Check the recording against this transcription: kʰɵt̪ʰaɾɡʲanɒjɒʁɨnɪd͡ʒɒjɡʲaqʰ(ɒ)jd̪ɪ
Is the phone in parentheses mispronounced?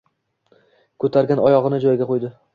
yes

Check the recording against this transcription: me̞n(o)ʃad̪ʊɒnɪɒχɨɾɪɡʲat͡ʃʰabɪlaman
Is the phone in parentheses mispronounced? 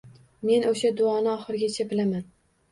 no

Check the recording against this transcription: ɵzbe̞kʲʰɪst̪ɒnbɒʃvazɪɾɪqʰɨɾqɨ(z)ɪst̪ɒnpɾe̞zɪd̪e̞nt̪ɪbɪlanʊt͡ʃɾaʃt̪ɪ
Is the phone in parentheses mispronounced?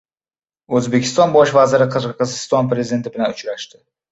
no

